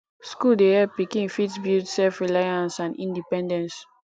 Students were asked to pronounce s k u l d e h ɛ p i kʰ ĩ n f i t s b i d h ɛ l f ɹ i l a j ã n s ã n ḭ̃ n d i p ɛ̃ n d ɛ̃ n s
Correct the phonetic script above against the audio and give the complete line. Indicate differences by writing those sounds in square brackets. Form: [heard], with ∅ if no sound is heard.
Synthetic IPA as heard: s k u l d e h ɛ p i [k] ĩ n f i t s b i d [s] ɛ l f ɹ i l a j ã n s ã n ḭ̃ n d i p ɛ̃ n d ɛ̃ n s